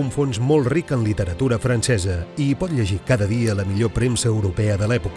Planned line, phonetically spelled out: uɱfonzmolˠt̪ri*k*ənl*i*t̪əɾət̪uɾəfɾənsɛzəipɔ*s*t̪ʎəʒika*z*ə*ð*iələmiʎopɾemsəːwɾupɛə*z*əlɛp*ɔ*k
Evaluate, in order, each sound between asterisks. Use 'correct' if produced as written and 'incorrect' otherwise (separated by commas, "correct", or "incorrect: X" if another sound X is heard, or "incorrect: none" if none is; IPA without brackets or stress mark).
correct, correct, incorrect: none, incorrect: ð, correct, incorrect: ð, incorrect: u